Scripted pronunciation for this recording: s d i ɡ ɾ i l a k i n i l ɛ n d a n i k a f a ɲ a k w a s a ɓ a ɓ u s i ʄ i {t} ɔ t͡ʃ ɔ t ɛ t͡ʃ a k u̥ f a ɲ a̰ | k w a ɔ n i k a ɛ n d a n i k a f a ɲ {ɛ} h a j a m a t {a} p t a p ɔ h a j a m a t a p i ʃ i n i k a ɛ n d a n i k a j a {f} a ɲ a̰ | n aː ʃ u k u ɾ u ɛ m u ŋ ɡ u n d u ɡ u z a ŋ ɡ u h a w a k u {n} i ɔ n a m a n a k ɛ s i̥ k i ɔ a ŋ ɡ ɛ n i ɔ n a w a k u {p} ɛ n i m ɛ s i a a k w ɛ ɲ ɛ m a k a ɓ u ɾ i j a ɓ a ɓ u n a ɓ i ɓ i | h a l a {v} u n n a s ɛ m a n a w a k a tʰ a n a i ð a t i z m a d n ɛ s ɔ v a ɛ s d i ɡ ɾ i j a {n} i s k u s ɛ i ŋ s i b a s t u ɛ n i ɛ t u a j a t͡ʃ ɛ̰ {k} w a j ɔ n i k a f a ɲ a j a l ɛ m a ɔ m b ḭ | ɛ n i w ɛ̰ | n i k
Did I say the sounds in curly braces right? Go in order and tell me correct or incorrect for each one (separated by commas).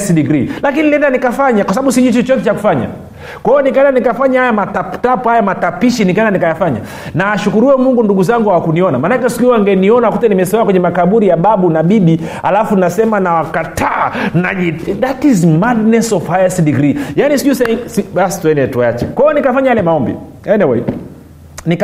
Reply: incorrect, incorrect, correct, correct, correct, incorrect, incorrect, correct, correct